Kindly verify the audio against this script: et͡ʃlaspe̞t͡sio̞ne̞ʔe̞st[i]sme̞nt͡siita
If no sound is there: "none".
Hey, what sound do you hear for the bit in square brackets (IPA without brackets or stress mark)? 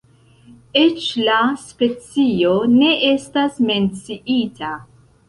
a